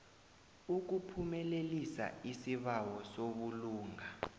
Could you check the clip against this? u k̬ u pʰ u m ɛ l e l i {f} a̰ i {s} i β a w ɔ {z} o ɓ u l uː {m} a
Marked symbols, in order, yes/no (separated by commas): no, yes, no, no